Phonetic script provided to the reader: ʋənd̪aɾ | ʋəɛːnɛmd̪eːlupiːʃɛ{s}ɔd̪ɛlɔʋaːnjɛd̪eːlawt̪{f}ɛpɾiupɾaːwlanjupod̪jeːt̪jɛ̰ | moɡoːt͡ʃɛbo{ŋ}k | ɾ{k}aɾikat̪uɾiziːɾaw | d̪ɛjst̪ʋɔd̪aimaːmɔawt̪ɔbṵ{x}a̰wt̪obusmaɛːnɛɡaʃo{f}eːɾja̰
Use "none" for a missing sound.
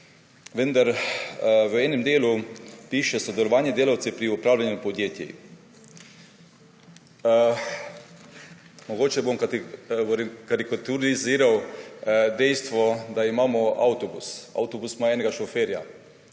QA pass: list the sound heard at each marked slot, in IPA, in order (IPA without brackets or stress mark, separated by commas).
s, s, m, k, s, f